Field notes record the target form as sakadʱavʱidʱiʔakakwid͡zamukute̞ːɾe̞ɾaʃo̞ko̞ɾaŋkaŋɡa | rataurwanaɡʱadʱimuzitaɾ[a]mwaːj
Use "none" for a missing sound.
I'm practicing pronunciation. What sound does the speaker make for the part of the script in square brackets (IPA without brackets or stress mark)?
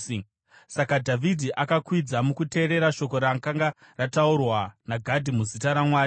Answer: a